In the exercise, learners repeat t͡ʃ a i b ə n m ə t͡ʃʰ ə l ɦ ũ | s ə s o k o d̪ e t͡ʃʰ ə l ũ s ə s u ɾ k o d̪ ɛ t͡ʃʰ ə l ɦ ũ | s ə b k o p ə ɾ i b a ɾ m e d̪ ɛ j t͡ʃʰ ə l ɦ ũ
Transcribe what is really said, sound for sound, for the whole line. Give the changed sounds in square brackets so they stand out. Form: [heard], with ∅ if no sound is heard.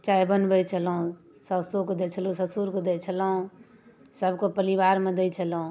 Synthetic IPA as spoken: t͡ʃ a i b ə n [b] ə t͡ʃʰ ə l ɦ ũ | s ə s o k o d̪ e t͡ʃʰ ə l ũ s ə s u ɾ k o d̪ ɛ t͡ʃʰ ə l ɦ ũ | s ə b k o p ə ɾ i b a ɾ m e d̪ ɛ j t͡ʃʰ ə l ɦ ũ

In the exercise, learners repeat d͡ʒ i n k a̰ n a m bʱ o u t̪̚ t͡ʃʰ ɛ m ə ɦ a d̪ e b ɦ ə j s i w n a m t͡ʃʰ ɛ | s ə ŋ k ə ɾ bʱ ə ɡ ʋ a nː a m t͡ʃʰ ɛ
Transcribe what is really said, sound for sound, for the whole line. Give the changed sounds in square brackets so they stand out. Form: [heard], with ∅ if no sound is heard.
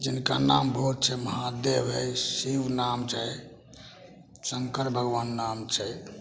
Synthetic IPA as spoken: d͡ʒ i n k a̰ n a m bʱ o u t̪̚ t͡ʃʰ ɛ m ə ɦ a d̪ e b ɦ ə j s i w n a m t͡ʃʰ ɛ | s ə ŋ k ə ɾ bʱ ə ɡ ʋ a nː a m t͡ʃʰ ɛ

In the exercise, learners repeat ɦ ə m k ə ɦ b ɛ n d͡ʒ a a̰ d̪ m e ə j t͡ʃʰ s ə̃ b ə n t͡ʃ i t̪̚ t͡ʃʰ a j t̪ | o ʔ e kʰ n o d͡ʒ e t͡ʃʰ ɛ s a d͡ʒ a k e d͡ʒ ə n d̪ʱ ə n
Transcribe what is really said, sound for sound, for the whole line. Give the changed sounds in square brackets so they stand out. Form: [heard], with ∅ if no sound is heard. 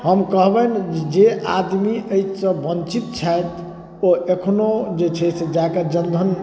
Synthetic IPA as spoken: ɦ ə m k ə ɦ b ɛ n d͡ʒ [e] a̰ d̪ m [i] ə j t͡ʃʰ s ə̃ b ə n t͡ʃ i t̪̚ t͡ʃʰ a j t̪ | o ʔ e kʰ n o d͡ʒ e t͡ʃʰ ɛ s [e] d͡ʒ a k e d͡ʒ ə n d̪ʱ ə n

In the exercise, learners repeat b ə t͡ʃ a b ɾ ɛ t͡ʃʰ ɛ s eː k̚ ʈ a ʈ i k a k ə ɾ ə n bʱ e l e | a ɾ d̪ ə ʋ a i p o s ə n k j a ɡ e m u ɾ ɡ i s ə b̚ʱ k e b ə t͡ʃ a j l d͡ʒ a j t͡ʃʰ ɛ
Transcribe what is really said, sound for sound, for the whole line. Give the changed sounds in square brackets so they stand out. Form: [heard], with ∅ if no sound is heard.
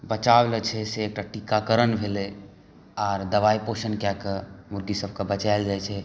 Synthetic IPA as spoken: b ə t͡ʃ a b [l] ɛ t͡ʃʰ ɛ s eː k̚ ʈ a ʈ i k a k ə ɾ ə n bʱ e l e | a ɾ d̪ ə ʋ a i p o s ə n k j a [k] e m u ɾ ɡ i s ə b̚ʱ k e b ə t͡ʃ a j l d͡ʒ a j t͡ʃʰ ɛ

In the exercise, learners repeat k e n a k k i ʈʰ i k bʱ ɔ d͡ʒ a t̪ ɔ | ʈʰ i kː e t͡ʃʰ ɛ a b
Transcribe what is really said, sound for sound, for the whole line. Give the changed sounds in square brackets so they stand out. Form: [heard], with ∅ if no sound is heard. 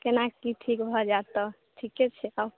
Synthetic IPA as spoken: k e n a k k i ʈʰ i k bʱ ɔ d͡ʒ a t̪ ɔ | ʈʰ i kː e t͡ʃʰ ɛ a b

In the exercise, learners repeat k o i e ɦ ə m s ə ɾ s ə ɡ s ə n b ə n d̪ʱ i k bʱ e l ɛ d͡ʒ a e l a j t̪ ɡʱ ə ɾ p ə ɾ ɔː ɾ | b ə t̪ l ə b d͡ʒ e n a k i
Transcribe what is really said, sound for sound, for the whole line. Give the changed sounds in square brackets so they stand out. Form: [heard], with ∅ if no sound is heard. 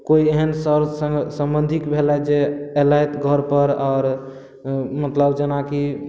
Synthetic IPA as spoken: k o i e ɦ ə [n] s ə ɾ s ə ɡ s ə [m] b ə n d̪ʱ i k bʱ e l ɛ d͡ʒ [e] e l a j t̪ ɡʱ ə ɾ p ə ɾ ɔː ɾ | [m] ə t̪ l ə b d͡ʒ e n a k i

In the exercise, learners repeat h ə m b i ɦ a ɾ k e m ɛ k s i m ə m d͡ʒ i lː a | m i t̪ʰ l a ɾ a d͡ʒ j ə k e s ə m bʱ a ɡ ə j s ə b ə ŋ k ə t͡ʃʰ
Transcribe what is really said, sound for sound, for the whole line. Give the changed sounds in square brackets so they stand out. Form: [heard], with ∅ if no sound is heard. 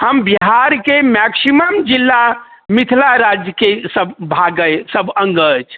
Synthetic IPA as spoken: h ə m b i ɦ a ɾ k e m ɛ k s i m ə m d͡ʒ i lː a | m i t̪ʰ l a ɾ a d͡ʒ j ə k e s ə [b] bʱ a ɡ ə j s ə b ə ŋ [ɡ] ə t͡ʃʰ

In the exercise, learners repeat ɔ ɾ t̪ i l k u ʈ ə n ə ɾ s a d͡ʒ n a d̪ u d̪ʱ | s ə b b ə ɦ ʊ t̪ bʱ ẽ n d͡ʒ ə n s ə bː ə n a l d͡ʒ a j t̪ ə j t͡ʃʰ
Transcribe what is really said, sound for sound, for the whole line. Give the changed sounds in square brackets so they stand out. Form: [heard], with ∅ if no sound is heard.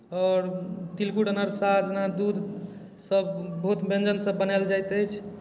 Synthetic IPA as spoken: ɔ ɾ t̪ i l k u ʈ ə n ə ɾ s a d͡ʒ n a d̪ u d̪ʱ | s ə b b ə ɦ [u] t̪ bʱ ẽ n d͡ʒ ə n s ə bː ə n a l d͡ʒ a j t̪ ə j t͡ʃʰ

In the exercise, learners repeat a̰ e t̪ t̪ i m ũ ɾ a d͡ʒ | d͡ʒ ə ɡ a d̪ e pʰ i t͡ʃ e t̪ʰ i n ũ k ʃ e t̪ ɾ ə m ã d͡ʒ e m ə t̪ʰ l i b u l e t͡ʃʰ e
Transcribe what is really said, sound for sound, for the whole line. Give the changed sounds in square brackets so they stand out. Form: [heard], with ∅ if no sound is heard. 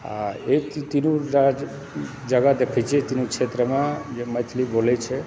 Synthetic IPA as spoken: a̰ e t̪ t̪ i [n] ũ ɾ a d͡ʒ | d͡ʒ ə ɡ a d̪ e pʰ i t͡ʃ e [t̪] i n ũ k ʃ e t̪ ɾ ə m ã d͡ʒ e m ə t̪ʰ l i b [o] l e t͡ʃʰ e

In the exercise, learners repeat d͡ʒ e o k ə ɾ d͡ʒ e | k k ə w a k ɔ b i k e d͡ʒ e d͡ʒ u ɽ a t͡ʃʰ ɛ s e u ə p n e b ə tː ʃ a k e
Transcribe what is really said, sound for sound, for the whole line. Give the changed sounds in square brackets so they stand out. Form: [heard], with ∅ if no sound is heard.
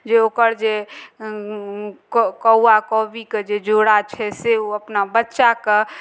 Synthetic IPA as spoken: d͡ʒ e o k ə ɾ d͡ʒ e | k k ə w a k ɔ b i k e d͡ʒ e d͡ʒ [o] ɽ a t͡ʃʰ ɛ s e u ə p n [a] b ə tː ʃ a k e

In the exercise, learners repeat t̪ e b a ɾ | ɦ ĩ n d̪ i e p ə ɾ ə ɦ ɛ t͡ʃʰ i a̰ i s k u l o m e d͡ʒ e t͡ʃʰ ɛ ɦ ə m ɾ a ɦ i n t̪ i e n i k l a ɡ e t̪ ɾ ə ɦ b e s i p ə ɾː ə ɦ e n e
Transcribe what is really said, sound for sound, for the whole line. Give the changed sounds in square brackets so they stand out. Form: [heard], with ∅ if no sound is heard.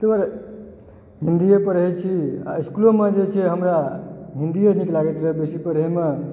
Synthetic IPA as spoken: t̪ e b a ɾ | ɦ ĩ n d̪ i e p ə ɾ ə ɦ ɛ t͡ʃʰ i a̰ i s k u l o m e d͡ʒ e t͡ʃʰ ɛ ɦ ə m ɾ a ɦ i n [d̪] i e n i k l a ɡ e t̪ ɾ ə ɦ b e s i p ə [ɾ] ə ɦ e [m] e

